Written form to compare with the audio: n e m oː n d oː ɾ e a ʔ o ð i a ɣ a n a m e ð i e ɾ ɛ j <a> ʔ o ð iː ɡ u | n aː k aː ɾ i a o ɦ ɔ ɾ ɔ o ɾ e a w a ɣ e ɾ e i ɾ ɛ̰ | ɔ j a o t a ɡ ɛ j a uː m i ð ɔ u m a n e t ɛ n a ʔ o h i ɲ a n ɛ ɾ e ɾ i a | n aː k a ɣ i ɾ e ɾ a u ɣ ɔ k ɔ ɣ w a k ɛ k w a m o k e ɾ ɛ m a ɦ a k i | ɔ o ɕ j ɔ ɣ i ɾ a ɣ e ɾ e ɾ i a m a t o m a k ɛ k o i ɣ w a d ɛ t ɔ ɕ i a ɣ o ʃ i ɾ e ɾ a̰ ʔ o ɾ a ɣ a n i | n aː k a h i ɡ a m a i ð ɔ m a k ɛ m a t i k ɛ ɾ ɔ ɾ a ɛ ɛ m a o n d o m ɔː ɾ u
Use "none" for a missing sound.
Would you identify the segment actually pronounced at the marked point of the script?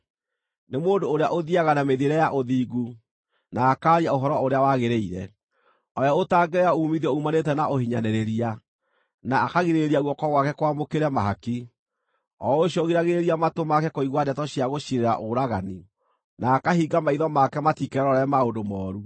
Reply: a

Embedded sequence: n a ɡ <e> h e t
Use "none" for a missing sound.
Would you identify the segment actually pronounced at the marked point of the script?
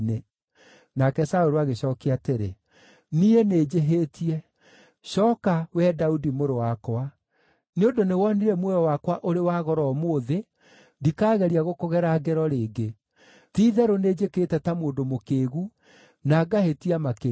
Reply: a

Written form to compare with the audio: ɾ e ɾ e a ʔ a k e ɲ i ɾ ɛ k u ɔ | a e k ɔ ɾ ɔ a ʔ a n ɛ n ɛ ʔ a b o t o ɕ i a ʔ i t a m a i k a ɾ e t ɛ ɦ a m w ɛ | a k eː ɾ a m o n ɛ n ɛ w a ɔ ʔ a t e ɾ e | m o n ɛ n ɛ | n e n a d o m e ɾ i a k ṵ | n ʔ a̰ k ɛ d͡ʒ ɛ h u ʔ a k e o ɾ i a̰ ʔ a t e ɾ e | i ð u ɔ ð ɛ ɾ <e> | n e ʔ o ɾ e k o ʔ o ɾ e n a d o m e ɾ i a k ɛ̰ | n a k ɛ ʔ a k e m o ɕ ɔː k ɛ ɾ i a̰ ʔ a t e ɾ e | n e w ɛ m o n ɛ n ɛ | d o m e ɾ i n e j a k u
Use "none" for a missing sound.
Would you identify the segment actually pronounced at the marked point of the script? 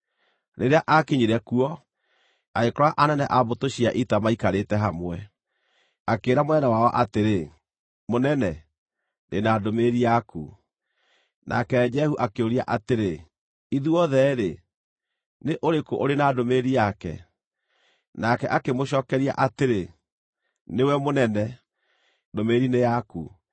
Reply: e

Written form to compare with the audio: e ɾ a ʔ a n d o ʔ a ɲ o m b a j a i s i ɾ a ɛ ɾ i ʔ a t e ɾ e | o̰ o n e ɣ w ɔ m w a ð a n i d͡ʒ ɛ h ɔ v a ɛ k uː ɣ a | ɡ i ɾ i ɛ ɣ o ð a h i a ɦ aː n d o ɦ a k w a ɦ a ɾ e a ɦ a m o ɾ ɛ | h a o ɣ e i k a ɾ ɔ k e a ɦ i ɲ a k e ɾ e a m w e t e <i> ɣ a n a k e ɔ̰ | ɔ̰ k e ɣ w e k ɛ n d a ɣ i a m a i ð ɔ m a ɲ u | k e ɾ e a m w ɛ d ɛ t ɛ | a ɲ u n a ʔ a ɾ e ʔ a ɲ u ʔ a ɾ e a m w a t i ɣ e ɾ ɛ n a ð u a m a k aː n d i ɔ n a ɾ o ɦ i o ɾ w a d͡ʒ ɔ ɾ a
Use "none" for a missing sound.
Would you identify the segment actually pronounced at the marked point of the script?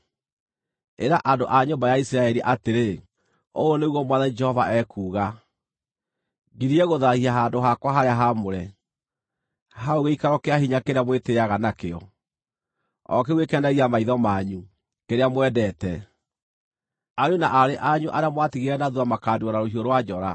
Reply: a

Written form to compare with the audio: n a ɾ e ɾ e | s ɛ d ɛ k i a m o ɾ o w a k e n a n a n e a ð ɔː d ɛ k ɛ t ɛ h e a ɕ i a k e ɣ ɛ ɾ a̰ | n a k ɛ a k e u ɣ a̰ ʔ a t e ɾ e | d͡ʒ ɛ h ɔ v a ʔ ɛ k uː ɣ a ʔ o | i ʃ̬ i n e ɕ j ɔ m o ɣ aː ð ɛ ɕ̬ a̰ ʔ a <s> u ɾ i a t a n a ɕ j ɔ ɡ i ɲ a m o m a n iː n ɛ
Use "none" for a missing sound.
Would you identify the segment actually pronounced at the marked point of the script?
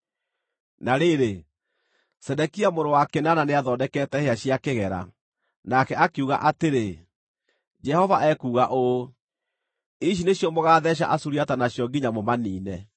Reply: s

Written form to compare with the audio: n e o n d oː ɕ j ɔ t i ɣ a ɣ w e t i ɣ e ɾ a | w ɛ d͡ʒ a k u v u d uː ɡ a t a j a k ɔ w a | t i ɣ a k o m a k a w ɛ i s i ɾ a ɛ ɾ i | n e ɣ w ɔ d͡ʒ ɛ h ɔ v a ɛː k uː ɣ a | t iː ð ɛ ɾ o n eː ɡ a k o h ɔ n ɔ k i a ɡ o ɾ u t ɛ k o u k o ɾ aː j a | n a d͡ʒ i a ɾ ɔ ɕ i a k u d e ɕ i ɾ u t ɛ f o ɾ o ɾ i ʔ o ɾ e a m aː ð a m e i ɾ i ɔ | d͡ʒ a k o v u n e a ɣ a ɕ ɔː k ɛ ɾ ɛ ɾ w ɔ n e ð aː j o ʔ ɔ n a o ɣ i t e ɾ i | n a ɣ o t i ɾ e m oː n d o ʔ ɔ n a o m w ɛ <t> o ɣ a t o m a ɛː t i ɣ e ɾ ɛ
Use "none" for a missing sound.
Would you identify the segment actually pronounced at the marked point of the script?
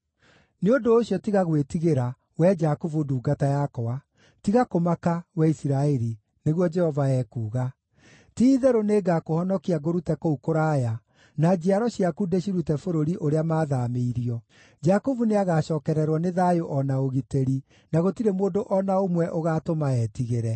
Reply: ʔ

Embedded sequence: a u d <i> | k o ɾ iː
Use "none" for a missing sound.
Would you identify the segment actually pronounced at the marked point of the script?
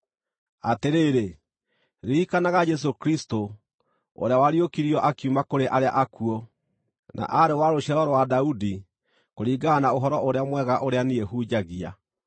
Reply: i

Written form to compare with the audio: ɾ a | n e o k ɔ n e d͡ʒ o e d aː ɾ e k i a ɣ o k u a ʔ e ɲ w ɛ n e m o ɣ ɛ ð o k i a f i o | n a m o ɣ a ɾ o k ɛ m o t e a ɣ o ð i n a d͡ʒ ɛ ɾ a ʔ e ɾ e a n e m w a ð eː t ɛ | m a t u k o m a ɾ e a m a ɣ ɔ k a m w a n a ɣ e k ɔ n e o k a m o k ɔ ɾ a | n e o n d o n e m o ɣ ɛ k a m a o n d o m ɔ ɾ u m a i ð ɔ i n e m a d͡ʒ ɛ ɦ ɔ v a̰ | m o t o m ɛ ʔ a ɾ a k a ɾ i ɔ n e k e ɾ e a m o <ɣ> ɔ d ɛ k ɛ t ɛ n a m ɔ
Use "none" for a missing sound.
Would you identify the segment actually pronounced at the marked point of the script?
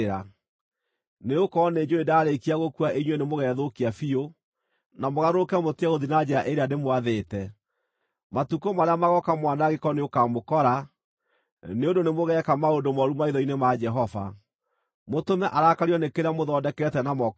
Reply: ð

